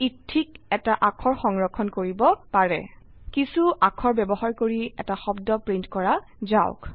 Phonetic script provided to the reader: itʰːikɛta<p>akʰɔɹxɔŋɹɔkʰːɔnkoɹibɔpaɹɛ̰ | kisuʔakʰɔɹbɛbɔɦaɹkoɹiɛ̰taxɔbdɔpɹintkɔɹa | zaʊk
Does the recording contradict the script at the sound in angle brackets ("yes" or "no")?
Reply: yes